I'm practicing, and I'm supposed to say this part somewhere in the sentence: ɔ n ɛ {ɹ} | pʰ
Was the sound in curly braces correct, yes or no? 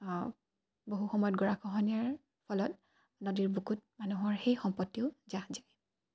yes